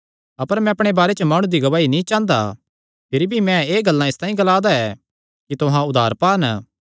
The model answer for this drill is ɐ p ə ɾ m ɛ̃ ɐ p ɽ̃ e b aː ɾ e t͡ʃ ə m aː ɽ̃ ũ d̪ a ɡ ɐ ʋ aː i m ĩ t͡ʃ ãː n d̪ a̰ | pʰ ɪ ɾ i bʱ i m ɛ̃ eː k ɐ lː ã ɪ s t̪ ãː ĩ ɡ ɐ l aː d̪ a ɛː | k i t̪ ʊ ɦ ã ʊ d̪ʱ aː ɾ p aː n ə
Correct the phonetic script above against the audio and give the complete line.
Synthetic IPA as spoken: ɐ p ə ɾ m ɛ̃ ɐ p ɽ̃ e b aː ɾ e t͡ʃ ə m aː ɽ̃ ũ d̪ i ɡ ɐ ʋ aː i n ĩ t͡ʃ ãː n d̪ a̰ | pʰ ɪ ɾ i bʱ i m ɛ̃ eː ɡ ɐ lː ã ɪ s t̪ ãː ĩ ɡ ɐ l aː d̪ a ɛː | k i t̪ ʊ ɦ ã ʊ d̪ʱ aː ɾ p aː n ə